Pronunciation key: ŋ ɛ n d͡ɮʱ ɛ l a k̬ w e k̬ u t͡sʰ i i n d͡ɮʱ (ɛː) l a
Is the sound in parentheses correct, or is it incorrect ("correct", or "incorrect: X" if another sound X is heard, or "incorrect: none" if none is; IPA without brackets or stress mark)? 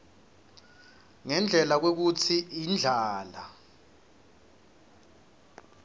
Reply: incorrect: aː